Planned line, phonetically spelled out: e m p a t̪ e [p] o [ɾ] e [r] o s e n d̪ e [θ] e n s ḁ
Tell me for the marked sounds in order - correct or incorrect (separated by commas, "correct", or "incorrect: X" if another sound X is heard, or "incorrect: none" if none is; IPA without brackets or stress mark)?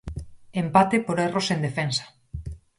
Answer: correct, correct, correct, incorrect: f